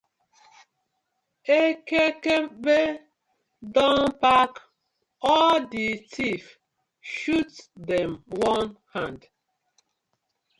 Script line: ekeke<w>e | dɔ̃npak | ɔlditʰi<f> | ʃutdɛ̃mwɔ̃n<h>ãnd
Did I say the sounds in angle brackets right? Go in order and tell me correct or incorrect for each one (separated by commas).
incorrect, correct, correct